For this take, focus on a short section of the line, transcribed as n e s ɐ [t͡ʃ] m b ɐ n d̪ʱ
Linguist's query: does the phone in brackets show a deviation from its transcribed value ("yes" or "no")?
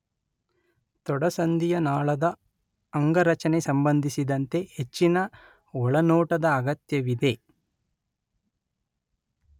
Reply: yes